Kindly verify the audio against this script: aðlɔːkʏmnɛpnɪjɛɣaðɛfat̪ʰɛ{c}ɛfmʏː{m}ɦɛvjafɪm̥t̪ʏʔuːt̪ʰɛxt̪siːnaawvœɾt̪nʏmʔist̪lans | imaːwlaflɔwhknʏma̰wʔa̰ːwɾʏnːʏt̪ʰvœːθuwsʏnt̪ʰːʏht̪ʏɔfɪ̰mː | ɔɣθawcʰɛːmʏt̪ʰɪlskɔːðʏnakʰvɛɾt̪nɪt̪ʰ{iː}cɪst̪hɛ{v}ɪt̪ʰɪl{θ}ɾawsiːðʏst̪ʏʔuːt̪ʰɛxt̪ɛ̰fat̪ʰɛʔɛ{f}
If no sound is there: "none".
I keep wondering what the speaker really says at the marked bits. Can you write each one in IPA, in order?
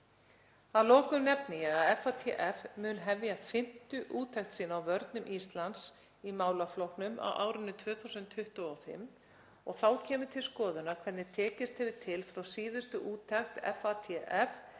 ʔ, n, ɛː, v, f, f

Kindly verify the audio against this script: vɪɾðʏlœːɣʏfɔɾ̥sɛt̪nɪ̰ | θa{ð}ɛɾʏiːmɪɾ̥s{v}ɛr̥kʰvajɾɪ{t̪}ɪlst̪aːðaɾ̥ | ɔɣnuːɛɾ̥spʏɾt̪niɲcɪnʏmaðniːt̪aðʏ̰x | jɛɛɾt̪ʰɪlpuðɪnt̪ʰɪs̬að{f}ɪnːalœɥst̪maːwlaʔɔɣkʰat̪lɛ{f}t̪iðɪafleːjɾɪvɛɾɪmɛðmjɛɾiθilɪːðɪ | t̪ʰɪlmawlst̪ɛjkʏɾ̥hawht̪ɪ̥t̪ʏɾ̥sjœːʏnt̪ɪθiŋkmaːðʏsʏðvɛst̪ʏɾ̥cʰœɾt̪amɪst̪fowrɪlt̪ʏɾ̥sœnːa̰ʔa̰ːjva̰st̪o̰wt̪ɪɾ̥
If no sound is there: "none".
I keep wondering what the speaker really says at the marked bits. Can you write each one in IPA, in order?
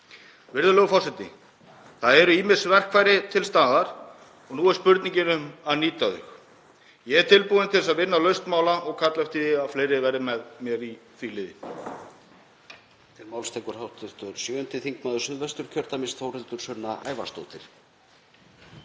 ð, v, t̪ʰ, v, f

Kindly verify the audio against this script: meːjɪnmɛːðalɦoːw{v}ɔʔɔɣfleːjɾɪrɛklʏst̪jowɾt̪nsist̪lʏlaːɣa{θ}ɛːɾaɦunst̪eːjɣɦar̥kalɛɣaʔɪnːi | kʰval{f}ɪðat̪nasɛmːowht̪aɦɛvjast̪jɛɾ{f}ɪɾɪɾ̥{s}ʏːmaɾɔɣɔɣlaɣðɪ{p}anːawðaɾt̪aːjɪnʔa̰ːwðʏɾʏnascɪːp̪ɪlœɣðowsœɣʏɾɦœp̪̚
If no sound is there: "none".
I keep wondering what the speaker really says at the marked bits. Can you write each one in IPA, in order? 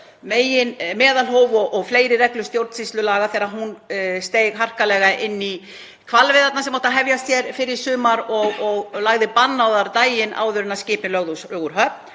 v, θ, v, f, s, p

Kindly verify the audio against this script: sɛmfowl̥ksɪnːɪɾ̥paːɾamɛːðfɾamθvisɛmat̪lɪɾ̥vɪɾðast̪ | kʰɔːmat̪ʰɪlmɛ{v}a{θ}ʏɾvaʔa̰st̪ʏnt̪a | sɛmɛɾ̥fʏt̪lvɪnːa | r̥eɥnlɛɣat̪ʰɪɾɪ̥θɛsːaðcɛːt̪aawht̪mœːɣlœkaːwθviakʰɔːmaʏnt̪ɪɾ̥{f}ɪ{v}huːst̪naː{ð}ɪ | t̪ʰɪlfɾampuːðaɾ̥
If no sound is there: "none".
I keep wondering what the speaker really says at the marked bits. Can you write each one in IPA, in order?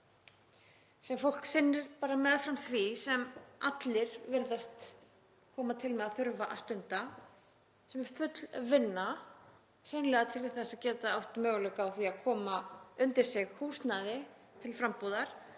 ð, θ, s, ɣ, ð

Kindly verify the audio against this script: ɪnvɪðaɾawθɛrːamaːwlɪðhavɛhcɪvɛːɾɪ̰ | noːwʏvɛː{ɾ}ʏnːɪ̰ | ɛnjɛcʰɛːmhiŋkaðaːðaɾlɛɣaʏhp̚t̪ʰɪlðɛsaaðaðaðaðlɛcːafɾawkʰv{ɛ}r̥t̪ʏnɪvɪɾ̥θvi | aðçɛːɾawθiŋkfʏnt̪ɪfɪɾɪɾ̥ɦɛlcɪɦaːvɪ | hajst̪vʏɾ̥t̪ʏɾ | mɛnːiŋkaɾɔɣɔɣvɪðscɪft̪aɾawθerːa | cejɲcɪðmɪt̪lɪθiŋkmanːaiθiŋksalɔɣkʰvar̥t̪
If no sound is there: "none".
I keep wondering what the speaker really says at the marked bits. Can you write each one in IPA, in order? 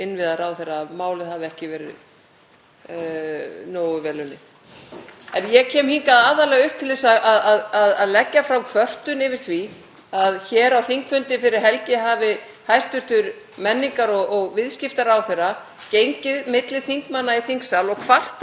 l, œ

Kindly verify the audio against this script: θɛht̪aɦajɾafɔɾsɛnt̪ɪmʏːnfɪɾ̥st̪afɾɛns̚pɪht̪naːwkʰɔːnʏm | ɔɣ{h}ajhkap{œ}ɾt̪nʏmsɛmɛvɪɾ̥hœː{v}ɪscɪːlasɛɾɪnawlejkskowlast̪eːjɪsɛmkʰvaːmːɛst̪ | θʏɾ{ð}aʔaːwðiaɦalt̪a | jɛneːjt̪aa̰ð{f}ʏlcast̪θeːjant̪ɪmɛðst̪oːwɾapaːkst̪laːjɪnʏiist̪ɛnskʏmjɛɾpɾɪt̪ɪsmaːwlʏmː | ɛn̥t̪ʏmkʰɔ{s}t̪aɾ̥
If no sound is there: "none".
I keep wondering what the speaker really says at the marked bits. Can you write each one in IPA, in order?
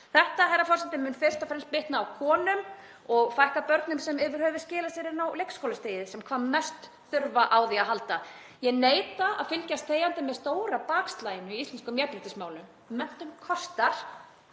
f, œ, v, v, f, s

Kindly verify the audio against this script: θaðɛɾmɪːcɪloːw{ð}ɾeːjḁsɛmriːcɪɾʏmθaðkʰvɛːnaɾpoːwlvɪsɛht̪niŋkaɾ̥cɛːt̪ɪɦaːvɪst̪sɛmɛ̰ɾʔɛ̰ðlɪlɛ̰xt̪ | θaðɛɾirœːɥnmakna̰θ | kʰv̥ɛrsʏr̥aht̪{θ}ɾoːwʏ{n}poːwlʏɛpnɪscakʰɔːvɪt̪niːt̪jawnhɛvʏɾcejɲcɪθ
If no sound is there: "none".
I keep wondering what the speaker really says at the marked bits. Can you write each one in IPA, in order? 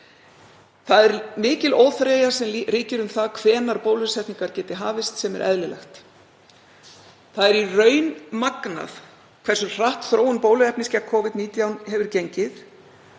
θ, θ, n

